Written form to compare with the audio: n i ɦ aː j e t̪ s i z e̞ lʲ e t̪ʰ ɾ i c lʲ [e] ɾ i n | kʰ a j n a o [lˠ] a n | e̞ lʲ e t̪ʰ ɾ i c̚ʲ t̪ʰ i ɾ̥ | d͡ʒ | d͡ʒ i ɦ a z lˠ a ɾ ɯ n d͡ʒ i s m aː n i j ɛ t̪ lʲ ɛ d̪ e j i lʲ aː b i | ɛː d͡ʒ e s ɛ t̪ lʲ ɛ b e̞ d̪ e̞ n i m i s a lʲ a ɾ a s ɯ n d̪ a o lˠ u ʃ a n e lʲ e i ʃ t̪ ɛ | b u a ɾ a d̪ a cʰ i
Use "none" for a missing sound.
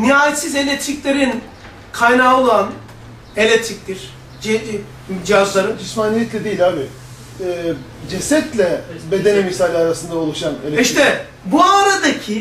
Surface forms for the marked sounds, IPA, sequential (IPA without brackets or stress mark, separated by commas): e, lˠ